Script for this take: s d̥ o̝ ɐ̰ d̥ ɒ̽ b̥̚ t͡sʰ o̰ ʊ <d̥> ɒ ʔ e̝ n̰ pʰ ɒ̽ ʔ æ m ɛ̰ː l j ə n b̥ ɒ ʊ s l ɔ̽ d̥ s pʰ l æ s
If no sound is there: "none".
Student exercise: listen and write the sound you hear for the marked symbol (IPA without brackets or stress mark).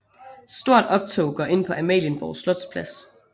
ɡ̥